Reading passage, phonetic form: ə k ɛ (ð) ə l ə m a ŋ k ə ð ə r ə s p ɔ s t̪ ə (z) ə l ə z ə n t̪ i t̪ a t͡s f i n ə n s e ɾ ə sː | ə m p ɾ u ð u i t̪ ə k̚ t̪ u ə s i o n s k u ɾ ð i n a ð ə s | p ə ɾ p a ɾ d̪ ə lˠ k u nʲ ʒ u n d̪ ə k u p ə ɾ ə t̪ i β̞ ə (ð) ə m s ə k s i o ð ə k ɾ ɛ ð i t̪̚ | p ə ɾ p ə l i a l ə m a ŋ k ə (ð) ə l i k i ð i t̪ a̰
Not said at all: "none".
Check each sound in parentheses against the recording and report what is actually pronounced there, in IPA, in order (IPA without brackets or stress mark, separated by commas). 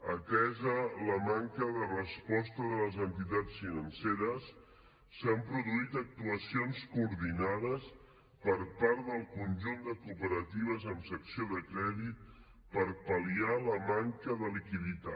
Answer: z, ð, z, ð